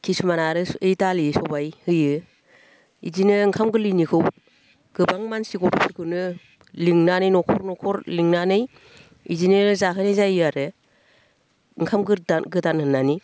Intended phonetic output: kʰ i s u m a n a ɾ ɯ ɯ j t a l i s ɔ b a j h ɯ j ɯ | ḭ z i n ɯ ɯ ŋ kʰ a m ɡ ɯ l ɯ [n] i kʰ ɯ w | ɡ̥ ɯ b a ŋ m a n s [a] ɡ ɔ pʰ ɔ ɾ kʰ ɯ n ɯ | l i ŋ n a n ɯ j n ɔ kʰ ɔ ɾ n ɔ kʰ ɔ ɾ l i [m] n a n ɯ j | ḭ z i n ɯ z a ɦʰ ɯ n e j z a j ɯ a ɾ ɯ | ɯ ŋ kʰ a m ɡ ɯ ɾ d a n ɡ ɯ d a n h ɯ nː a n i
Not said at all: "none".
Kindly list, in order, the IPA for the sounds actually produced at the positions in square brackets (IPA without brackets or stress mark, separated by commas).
n, i, ŋ